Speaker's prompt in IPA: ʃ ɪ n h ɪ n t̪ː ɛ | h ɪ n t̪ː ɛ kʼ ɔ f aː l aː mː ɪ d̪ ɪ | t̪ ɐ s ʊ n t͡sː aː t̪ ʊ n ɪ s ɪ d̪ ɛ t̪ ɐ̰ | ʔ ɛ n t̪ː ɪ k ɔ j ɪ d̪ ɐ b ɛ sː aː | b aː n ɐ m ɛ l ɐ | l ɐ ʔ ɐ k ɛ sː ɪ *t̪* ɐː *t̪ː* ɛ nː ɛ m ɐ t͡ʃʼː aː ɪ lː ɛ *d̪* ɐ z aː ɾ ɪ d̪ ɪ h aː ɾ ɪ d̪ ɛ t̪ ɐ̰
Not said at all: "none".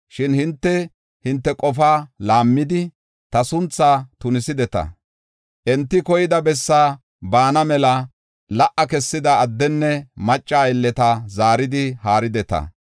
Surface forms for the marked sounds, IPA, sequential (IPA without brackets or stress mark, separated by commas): d̪, d̪ː, t̪